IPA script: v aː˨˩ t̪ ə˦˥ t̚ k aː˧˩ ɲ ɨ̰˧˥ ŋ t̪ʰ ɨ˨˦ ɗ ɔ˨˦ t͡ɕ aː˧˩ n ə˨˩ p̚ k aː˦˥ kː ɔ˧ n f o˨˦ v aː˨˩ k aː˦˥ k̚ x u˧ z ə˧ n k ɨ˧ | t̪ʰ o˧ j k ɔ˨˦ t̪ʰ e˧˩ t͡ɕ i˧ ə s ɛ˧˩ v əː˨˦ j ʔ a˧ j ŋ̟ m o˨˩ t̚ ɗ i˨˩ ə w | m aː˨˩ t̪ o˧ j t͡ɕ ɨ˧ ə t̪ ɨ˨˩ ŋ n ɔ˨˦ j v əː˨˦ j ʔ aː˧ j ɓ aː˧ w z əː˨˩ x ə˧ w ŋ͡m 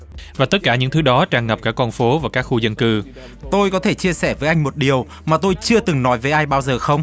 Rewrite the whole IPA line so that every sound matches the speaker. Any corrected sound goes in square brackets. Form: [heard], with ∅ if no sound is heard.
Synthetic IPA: v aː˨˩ t̪ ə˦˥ t̚ k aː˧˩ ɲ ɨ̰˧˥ ŋ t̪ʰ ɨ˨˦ ɗ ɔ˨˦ t͡ɕ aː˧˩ [ŋ] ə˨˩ p̚ k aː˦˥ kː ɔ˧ n f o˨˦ v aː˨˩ k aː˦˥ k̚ x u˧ z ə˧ n k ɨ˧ | [t̪] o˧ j k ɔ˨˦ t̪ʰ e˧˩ t͡ɕ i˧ ə s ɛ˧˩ v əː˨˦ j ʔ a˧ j ŋ̟ m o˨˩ t̚ ɗ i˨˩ ə w | m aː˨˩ t̪ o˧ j t͡ɕ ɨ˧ ə t̪ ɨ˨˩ ŋ n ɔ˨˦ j v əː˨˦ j ʔ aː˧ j ɓ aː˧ w z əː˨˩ x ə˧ w ŋ͡m